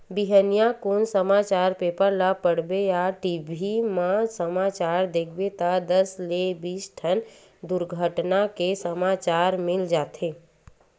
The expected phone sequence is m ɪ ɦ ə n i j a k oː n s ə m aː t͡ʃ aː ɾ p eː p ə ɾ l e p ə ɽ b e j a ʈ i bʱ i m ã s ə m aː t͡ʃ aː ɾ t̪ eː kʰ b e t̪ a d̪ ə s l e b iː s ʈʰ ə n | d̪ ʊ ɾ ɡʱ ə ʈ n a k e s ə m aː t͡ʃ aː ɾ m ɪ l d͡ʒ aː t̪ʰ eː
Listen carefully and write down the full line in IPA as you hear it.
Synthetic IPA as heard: b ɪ ɦ ə n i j a k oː n s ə m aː t͡ʃ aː ɾ p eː p ə ɾ l a p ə ɽ b e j a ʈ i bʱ i m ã s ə m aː t͡ʃ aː ɾ d̪ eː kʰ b e t̪ a d̪ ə s l e b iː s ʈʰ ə n | d̪ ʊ ɾ ɡʱ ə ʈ n a k e s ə m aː t͡ʃ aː ɾ m ɪ l d͡ʒ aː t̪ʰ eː